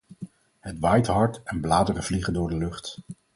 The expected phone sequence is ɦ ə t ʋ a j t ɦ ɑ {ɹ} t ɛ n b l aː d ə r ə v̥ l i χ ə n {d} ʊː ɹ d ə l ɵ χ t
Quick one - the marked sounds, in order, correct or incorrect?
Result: correct, correct

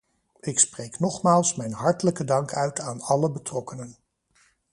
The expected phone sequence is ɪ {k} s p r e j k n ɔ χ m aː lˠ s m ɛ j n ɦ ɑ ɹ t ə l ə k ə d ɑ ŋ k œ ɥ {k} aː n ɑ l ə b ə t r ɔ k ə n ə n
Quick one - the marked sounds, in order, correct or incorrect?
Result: correct, incorrect: t

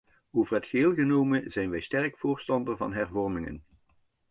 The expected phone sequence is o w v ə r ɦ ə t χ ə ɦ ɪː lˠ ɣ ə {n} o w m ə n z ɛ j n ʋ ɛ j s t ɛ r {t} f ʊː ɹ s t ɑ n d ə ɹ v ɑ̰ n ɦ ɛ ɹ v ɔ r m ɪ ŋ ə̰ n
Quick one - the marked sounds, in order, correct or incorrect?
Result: correct, incorrect: k

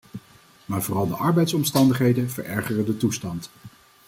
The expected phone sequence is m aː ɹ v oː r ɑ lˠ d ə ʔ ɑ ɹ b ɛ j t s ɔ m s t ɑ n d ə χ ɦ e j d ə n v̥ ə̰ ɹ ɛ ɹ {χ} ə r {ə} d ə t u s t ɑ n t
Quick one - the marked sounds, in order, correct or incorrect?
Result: correct, correct

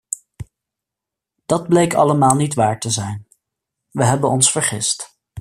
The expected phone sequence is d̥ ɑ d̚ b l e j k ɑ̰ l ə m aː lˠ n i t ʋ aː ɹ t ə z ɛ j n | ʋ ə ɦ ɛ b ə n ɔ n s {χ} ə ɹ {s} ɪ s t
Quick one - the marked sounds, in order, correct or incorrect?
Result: incorrect: f, incorrect: χ

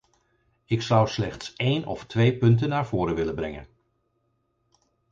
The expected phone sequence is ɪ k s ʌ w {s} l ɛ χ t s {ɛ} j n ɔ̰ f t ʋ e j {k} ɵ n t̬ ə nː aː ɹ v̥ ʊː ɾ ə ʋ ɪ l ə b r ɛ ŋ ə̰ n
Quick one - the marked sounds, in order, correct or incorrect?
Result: correct, incorrect: e, incorrect: p

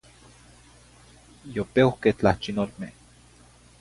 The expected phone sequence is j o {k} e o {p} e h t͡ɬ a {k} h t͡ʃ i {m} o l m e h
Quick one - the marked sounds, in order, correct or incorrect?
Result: incorrect: p, incorrect: k, incorrect: none, incorrect: n

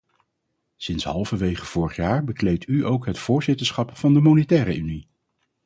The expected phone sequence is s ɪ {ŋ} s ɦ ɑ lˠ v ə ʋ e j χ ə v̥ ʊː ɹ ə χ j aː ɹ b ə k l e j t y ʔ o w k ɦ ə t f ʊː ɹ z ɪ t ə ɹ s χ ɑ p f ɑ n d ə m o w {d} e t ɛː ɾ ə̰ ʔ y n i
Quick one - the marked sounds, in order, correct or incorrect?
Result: incorrect: n, incorrect: n

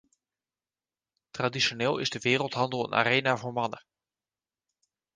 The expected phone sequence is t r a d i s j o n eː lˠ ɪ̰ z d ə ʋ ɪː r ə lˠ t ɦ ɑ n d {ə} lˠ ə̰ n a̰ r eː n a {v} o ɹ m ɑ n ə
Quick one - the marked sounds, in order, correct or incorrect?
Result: correct, correct

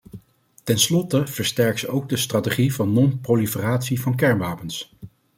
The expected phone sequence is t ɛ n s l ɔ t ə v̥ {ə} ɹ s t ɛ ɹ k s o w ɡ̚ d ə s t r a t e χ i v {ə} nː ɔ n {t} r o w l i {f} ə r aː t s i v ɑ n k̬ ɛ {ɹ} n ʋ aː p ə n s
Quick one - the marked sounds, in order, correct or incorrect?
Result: correct, incorrect: ɑ, incorrect: p, correct, correct

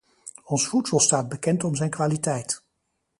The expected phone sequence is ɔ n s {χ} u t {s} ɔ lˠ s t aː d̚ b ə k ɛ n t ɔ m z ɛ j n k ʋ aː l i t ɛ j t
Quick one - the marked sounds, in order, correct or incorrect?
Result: incorrect: f, correct

